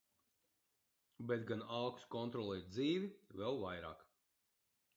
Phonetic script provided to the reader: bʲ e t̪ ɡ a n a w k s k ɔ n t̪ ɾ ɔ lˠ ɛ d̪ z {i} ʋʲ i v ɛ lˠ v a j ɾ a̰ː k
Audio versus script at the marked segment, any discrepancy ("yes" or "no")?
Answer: yes